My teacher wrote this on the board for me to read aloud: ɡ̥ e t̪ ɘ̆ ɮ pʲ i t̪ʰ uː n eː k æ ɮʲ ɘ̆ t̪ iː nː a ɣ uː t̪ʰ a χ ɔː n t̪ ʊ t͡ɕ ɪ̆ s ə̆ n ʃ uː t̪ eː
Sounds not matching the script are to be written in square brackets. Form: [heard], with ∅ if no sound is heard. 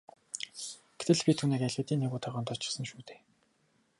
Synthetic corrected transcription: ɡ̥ e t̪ ɘ̆ ɮ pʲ i t̪ʰ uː n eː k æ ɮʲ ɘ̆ t̪ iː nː [e] ɣ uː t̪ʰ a [ʁ] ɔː n t̪ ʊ t͡ɕ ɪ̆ s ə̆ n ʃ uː t̪ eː